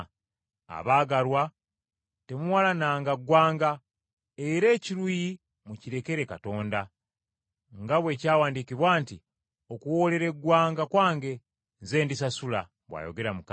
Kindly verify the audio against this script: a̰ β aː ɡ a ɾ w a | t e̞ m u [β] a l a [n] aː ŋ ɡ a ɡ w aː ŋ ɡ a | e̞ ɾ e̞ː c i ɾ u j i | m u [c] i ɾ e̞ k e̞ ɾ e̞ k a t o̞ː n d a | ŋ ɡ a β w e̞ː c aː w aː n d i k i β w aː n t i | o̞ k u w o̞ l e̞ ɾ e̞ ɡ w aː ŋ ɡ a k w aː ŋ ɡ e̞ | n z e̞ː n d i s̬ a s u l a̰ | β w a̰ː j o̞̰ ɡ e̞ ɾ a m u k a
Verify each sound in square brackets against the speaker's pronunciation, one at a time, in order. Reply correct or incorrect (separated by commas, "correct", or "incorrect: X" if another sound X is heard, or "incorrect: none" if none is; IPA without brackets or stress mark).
incorrect: w, correct, correct